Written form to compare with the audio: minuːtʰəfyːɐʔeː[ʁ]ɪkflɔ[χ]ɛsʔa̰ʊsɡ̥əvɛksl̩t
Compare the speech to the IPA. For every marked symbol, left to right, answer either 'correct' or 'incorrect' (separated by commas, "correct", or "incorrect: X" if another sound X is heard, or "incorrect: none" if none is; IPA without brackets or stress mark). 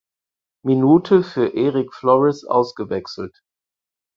correct, incorrect: ʁ